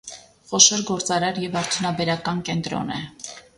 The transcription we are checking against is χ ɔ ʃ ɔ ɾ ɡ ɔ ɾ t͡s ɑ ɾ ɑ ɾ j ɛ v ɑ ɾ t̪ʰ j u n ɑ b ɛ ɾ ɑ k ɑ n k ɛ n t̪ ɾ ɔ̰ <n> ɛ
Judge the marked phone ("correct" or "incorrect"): correct